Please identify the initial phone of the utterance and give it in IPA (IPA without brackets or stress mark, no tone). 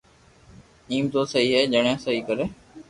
iː